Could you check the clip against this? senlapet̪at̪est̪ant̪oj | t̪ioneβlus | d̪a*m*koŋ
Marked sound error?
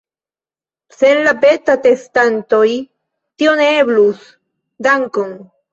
yes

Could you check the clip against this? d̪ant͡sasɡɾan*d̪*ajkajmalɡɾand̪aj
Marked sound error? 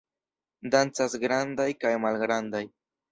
no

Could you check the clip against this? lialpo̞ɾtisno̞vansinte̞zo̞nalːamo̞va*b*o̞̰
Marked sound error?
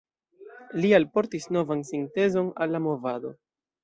yes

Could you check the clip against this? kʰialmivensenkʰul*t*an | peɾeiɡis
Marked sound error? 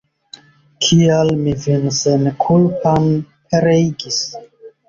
yes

